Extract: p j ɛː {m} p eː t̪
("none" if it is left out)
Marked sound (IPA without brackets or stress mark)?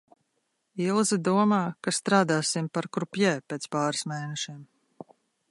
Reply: none